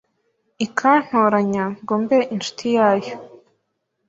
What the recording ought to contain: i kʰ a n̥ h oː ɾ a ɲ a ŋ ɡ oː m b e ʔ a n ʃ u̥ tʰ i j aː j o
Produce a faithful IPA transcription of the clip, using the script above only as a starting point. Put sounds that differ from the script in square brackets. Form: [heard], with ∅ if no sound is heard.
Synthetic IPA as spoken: i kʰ a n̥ h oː ɾ a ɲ a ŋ ɡ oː m b e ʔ [i] n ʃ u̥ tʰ i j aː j o